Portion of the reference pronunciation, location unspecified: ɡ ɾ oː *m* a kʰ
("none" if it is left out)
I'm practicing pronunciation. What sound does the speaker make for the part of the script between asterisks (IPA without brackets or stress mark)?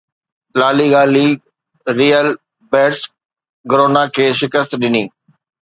n